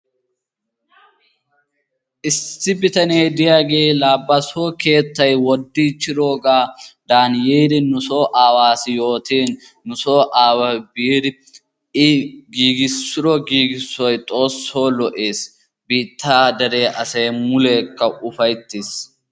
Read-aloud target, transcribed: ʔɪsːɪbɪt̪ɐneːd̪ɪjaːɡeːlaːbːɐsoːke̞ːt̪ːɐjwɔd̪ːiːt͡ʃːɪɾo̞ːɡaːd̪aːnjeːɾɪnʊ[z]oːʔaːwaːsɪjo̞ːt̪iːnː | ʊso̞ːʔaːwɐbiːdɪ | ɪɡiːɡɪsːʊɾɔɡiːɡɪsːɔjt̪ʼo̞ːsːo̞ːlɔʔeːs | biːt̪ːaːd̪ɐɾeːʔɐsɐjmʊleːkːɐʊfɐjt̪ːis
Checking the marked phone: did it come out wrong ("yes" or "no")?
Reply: yes